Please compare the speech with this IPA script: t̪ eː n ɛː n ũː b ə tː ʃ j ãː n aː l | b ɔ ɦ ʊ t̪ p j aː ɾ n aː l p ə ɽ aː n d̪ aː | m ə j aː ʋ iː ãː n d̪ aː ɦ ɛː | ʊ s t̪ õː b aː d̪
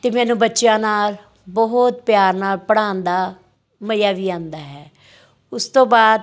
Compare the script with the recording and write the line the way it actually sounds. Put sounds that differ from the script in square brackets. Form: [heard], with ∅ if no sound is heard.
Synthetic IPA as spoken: t̪ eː [m] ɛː n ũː b ə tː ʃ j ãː n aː l | b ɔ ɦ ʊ t̪ p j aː ɾ n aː l p ə ɽ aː n d̪ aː | m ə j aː ʋ iː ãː n d̪ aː ɦ ɛː | ʊ s t̪ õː b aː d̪